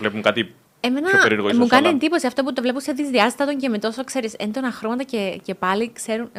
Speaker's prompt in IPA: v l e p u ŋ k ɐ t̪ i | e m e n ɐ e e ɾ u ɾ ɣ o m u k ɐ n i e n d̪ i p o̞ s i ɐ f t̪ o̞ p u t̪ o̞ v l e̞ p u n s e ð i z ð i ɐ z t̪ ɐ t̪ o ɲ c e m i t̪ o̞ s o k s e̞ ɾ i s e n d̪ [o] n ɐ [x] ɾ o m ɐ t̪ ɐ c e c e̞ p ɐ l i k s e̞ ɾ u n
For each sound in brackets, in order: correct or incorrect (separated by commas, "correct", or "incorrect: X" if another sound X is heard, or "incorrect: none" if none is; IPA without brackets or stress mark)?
correct, correct